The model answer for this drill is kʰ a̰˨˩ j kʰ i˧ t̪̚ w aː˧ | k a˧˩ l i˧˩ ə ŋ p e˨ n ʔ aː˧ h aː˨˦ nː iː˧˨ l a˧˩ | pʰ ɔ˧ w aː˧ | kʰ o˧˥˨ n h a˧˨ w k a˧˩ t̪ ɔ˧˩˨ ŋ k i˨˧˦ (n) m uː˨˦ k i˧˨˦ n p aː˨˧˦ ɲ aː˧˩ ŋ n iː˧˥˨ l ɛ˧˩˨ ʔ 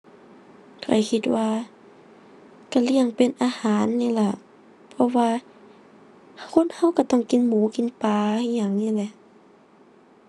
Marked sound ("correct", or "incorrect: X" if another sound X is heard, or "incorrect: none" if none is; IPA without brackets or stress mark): correct